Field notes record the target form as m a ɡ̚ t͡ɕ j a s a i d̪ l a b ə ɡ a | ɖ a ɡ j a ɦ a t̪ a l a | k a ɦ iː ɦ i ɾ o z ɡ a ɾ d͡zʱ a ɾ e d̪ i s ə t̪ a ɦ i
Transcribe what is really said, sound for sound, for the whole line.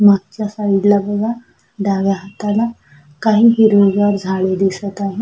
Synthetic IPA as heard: m a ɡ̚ t͡ɕ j a s a i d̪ l a b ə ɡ a | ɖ a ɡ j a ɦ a t̪ a l a | k a ɦ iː ɦ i ɾ o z ɡ a ɾ d͡zʱ a ɭ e d̪ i s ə t̪ a ɦ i

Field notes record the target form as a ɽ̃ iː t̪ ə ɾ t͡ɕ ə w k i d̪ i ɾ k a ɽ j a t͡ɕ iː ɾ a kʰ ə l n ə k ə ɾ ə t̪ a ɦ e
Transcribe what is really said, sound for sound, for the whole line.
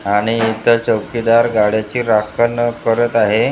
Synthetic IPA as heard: a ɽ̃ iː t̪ ə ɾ t͡ɕ ə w k i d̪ a ɾ ɡ a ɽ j a t͡ɕ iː ɾ a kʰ ə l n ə k ə ɾ ə t̪ a ɦ e

